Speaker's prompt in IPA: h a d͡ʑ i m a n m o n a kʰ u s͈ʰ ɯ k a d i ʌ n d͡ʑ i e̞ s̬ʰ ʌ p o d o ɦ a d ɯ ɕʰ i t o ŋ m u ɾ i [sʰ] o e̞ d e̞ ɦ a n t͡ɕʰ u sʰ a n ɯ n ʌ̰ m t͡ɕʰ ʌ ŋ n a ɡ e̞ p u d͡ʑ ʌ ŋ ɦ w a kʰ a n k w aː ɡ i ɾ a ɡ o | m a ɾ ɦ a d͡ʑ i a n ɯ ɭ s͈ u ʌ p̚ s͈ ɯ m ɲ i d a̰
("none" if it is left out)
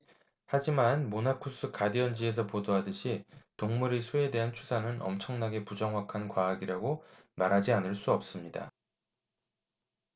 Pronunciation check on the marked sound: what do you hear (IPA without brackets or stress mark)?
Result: sʰ